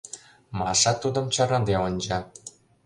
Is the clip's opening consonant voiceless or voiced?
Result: voiced